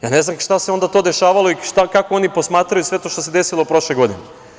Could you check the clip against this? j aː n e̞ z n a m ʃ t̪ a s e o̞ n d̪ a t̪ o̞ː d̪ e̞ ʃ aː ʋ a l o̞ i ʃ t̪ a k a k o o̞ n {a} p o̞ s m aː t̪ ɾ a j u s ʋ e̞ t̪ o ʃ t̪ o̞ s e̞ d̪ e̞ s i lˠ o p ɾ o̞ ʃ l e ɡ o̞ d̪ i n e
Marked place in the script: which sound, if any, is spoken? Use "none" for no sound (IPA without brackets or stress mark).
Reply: i